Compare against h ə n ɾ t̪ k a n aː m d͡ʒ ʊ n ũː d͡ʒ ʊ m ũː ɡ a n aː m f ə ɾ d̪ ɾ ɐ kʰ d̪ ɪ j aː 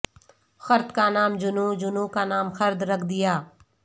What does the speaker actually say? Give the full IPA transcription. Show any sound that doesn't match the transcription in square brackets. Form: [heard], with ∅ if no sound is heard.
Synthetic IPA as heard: [x] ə [∅] ɾ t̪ k a n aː m d͡ʒ ʊ n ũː d͡ʒ ʊ [n] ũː [k] a n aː m [x] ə ɾ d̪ ɾ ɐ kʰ d̪ ɪ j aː